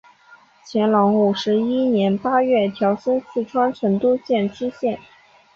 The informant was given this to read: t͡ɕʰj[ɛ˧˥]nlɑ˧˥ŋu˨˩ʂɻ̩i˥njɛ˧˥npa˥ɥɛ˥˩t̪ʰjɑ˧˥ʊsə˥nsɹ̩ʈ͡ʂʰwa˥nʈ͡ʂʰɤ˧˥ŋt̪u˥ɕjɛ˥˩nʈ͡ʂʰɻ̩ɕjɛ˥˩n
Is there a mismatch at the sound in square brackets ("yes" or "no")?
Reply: no